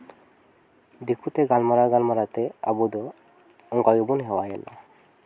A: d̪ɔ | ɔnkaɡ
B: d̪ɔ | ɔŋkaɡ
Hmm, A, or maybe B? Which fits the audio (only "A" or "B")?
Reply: B